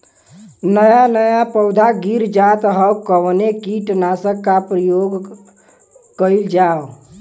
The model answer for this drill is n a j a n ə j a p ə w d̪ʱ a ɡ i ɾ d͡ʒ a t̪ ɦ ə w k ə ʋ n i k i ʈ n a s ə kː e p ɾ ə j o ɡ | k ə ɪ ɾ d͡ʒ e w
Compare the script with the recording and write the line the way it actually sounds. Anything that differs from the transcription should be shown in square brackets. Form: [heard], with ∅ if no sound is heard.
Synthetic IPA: n [ə] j a n ə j a p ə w d̪ʱ a ɡ i ɾ d͡ʒ a t̪ ɦ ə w k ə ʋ n [e] k i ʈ n a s ə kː [a] p ɾ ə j o ɡ | k ə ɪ [l] d͡ʒ [a] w

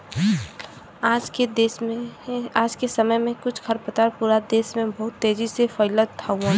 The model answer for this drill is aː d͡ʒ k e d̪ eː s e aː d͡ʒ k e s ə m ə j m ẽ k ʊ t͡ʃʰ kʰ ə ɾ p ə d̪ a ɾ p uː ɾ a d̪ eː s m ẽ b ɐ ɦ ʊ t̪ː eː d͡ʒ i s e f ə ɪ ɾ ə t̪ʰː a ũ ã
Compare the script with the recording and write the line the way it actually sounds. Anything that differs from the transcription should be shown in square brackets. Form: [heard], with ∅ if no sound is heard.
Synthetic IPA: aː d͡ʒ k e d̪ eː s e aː d͡ʒ k e s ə m ə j m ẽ k ʊ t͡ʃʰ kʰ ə ɾ p ə [t̪] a ɾ p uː ɾ a d̪ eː s m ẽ b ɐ ɦ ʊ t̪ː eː d͡ʒ i s e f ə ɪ [l] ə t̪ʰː a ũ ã

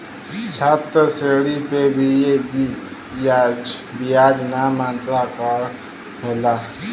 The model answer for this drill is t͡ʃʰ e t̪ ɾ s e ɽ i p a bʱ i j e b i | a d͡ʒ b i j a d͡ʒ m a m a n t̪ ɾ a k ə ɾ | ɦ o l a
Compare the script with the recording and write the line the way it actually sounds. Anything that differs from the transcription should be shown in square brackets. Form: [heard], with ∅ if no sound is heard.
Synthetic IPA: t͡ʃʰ [a] t̪ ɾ s e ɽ i p [e] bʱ i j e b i | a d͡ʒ b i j a d͡ʒ [n] a m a n t̪ ɾ a k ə ɾ | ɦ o l a

